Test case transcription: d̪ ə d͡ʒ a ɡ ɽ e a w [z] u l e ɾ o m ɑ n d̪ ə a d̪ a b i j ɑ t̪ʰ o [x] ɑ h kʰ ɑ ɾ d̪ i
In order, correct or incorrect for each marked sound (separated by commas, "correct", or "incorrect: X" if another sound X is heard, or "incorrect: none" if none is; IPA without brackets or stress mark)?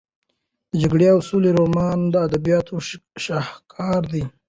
incorrect: s, incorrect: ʃ